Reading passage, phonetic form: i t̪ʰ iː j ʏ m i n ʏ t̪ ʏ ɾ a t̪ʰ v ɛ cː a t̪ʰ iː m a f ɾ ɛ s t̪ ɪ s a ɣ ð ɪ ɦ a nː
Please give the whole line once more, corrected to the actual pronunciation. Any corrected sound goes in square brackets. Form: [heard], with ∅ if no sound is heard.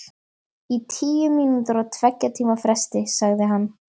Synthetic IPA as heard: i t̪ʰ iː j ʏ m i n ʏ t̪ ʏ ɾ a t̪ʰ v ɛ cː a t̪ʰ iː m a f ɾ ɛ s t̪ ɪ s a ɣ ð ɪ ɦ a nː